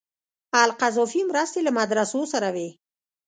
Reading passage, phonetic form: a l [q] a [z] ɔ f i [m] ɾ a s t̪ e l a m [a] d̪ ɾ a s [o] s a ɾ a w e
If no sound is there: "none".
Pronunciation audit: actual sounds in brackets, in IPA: q, z, m, a, o

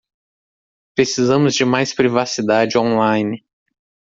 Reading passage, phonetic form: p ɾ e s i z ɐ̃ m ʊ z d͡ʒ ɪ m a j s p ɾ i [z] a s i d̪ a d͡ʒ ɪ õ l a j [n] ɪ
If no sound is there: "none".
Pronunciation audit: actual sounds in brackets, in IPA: v, n

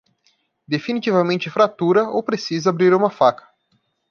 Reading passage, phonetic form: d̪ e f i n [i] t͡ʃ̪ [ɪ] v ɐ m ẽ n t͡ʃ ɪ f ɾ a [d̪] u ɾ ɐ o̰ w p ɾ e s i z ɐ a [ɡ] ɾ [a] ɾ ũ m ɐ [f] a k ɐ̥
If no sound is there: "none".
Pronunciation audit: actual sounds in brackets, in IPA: i, i, t̪, b, i, f

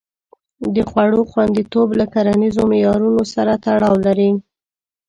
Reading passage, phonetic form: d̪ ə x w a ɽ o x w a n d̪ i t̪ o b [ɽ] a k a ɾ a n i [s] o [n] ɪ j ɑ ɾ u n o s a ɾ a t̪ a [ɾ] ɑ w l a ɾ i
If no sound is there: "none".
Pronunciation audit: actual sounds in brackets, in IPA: l, z, m, ɽ

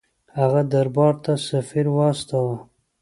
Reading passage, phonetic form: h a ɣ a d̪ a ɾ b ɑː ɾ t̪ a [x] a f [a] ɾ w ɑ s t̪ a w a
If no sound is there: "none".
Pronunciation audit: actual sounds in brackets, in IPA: s, i

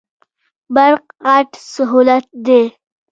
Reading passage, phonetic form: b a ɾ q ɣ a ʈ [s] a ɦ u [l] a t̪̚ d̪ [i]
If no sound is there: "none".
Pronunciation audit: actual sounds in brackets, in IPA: s, l, e

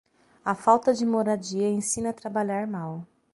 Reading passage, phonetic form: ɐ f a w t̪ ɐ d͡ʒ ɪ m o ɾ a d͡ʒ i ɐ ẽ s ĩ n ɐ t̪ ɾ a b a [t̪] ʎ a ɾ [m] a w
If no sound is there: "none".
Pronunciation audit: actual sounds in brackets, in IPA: none, m

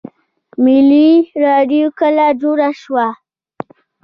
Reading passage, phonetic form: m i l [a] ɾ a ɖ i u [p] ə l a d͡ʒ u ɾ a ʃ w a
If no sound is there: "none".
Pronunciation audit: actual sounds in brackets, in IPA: i, k

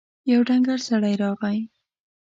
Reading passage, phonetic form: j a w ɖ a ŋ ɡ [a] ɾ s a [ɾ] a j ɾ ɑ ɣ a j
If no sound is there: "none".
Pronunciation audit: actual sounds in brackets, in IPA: a, ɽ

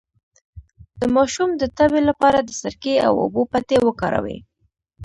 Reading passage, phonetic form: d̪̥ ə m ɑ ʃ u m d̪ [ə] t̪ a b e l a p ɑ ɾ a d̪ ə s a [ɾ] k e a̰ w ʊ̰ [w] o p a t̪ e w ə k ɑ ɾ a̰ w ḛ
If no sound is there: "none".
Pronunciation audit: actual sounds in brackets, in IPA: ə, ɾ, b

